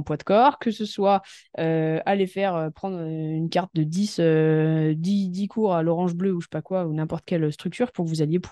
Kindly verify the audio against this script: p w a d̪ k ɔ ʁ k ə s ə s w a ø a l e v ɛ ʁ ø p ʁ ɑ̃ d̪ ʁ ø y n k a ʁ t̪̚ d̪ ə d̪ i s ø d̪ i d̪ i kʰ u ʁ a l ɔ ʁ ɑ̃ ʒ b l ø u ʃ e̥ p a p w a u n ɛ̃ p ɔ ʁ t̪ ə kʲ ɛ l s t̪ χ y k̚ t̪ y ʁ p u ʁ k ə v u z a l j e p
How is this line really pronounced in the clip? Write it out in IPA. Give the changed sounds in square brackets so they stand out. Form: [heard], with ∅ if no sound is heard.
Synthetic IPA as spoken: p w a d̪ k ɔ ʁ k ə s ə s w a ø a l e [f] ɛ ʁ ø p [χ] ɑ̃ d̪ ʁ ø y n k a ʁ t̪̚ d̪ ə d̪ i s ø d̪ i d̪ i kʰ u ʁ a l ɔ ʁ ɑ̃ ʒ b l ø u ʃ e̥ p a [k] w a u n ɛ̃ p ɔ ʁ t̪ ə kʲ ɛ l s t̪ χ y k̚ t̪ y ʁ p u ʁ k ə v u z a l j e p